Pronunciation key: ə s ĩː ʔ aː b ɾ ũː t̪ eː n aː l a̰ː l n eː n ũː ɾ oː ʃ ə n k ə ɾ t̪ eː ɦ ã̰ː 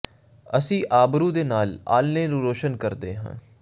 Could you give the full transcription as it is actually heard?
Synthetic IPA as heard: ə s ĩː ʔ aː b ɾ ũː d̪ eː n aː l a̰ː l n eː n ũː ɾ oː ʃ ə n k ə ɾ d̪ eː ɦ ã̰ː